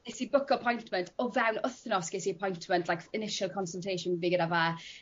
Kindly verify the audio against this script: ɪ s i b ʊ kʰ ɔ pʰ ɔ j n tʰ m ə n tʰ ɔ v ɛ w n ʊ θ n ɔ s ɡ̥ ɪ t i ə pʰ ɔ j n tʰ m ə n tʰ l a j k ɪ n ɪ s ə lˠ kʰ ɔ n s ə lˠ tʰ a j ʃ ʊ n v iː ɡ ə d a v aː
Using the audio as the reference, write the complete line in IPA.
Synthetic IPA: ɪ s i b ʊ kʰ ɔ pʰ ɔ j n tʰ m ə n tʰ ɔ v ɛ w n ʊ θ n ɔ s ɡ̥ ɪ s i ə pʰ ɔ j n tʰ m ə n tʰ l a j k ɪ n ɪ ʃ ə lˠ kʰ ɔ n s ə lˠ tʰ e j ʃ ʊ n v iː ɡ ə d a v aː